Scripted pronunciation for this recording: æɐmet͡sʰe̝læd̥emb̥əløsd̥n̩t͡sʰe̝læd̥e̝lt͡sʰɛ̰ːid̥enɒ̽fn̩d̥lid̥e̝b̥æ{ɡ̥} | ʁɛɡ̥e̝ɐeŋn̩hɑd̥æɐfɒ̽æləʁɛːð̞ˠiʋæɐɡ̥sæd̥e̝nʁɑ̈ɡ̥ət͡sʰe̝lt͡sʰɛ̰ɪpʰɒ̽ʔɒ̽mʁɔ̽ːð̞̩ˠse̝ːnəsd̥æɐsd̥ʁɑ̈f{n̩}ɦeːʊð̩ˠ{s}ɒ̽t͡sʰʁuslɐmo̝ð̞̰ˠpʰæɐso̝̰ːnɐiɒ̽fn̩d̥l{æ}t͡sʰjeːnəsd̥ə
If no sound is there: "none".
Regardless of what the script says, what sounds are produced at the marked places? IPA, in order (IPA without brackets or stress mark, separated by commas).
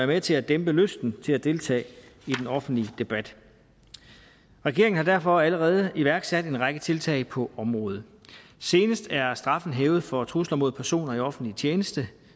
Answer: d̥, n̩, f, i